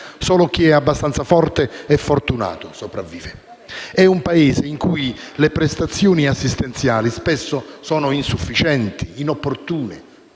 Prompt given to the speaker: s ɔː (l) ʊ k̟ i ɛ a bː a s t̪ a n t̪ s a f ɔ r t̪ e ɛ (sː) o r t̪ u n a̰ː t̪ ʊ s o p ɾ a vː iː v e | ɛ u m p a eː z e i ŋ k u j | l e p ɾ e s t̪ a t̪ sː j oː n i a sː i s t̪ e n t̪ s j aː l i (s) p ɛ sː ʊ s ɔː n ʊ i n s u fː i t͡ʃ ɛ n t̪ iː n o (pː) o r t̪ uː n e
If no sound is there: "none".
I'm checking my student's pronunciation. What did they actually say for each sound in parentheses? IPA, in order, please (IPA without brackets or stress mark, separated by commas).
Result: l, fː, s, pː